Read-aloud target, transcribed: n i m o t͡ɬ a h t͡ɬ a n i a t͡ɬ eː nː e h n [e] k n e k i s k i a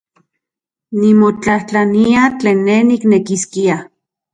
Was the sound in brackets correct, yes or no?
no